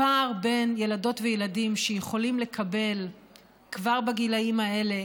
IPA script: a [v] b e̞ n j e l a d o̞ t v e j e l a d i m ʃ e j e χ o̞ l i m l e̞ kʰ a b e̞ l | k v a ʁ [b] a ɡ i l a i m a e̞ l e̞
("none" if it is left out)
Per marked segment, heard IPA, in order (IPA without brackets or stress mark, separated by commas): ʁ, b